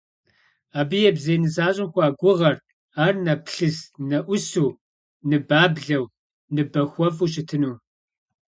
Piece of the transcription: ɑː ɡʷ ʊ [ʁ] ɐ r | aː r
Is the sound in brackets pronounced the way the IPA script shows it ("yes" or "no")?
yes